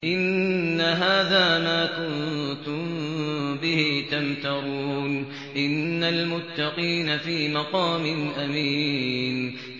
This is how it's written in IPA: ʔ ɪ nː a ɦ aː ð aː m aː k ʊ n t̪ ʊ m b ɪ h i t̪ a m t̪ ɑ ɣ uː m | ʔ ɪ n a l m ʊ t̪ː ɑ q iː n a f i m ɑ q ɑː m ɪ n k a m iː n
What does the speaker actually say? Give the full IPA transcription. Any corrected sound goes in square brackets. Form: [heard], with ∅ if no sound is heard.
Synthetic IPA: ʔ ɪ nː a ɦ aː ð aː m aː k ʊ n t̪ ʊ m b ɪ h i t̪ a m t̪ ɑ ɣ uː [n] | ʔ ɪ [nː] a l m ʊ t̪ː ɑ q iː n a f [iː] m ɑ q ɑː m ɪ n [ʔ] a m iː n